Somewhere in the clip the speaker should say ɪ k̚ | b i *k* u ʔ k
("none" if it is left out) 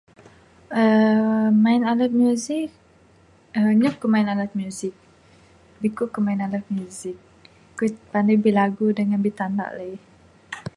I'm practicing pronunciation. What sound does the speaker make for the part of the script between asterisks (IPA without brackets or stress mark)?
k